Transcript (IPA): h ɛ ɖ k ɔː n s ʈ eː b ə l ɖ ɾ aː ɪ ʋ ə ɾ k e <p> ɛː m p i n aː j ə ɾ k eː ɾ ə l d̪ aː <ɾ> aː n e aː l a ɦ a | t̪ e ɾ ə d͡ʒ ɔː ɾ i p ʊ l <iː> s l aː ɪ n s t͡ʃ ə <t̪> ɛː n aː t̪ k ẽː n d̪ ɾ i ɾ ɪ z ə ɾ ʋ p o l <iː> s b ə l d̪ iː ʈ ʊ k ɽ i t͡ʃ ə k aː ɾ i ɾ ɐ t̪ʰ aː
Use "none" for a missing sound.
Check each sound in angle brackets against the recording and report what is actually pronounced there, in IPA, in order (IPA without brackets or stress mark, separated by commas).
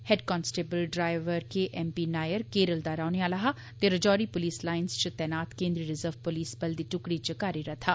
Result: ʔ, ɾ, iː, t̪, iː